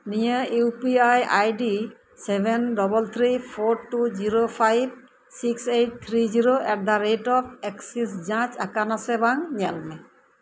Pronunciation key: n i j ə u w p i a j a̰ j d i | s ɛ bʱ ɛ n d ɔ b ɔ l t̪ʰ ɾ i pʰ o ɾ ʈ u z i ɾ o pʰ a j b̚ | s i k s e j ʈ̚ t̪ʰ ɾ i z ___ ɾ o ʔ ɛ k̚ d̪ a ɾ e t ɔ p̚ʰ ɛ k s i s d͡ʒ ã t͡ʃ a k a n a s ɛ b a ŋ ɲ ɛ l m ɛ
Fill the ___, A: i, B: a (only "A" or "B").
A